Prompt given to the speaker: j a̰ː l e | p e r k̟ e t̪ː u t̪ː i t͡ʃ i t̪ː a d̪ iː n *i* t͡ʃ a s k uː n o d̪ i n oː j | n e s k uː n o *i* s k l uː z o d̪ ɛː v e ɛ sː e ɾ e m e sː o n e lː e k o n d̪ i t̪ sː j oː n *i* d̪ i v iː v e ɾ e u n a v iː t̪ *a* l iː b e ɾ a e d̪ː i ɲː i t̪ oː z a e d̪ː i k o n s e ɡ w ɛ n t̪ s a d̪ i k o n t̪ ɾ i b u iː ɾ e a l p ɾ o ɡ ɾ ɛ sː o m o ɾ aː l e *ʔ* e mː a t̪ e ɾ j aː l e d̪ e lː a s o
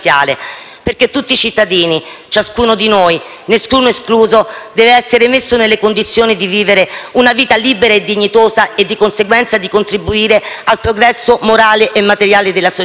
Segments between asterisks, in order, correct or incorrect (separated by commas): correct, incorrect, correct, correct, correct